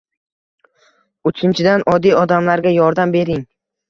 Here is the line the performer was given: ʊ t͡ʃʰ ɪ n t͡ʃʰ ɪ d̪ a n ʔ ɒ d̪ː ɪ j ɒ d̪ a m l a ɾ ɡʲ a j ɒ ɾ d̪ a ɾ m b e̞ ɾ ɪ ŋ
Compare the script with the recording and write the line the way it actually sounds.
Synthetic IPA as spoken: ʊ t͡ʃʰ ɪ n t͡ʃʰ ɪ d̪ a n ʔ ɒ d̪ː i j ɒ d̪ a m l a ɾ ɡʲ a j ɒ ɾ d̪ a m b e̞ ɾ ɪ ŋ